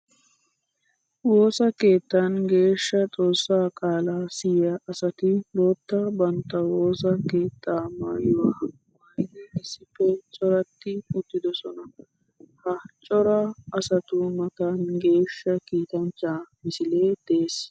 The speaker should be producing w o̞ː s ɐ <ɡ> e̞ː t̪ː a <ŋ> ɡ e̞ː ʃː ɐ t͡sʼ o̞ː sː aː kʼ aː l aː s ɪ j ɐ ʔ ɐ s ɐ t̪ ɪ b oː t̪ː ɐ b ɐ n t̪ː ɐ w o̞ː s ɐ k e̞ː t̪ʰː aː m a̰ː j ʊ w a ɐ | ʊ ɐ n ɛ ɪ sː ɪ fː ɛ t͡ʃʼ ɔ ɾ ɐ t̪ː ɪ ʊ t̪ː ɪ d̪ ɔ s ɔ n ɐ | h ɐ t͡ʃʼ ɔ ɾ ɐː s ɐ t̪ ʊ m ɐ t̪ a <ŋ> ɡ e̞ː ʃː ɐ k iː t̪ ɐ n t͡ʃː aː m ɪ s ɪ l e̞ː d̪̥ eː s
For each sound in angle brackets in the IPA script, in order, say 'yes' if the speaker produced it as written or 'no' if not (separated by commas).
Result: no, no, no